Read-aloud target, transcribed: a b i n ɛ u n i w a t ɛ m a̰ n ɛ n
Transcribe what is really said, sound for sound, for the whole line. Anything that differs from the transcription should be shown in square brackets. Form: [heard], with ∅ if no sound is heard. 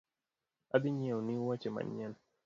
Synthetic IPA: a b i [ɲ] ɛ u n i w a [t͡ʃ] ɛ m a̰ [ɲ] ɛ n